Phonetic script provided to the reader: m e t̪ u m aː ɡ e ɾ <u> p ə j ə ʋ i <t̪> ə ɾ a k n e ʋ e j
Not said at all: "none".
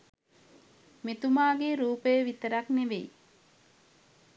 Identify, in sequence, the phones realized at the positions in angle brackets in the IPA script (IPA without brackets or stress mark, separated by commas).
uː, t̪